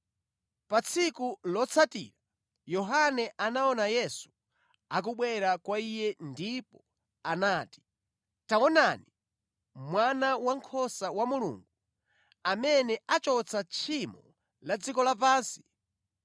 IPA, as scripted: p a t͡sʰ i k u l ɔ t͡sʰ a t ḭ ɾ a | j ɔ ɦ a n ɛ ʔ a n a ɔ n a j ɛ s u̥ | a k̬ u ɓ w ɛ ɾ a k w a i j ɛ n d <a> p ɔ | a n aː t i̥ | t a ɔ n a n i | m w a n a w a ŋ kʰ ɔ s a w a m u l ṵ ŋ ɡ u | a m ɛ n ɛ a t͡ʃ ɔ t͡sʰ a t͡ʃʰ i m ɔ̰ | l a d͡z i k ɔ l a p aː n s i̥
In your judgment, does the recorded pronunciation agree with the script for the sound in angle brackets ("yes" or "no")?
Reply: no